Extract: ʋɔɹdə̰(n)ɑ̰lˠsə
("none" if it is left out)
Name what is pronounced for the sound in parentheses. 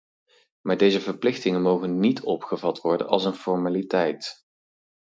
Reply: n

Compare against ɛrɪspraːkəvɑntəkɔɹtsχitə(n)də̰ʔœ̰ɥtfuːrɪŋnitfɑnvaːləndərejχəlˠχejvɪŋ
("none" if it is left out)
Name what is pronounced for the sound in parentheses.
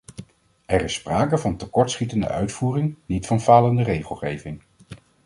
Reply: n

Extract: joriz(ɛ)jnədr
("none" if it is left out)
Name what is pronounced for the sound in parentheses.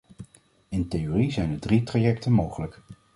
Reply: ɛ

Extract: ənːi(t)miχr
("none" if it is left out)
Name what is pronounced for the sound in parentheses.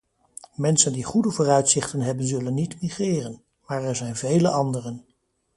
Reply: t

